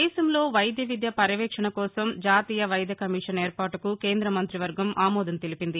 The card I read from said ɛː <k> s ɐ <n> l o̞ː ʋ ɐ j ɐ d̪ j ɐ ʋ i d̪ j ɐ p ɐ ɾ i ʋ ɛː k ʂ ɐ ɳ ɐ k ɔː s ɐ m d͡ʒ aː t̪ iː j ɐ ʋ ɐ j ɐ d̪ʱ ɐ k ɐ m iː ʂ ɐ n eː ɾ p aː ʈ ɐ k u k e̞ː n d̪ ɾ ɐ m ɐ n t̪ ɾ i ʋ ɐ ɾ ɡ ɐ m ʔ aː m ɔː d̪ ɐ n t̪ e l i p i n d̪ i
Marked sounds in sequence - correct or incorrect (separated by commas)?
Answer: incorrect, incorrect